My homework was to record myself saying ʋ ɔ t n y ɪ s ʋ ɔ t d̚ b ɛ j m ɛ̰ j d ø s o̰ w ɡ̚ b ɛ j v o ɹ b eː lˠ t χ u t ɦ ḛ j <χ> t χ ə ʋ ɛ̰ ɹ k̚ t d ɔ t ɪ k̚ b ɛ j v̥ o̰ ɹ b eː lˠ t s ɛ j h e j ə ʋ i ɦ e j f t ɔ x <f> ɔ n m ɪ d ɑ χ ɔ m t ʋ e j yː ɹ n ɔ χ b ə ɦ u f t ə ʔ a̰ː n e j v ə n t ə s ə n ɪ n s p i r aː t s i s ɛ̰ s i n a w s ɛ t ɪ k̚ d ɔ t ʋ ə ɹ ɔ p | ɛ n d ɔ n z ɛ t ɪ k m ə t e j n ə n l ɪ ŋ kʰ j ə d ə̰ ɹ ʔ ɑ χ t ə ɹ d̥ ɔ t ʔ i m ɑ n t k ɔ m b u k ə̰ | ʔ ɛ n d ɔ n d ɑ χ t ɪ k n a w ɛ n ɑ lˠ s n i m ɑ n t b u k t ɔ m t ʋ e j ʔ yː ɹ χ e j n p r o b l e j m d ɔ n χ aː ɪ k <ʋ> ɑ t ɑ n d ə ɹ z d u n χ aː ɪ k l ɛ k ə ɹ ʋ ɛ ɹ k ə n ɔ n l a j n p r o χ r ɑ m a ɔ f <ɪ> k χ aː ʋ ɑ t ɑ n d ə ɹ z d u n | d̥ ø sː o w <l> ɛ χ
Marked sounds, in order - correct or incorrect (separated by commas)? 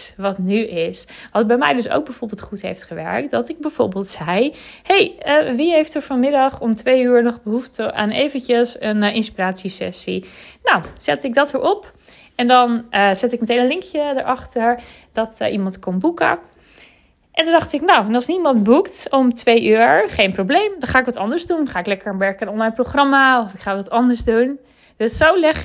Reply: incorrect, correct, correct, correct, correct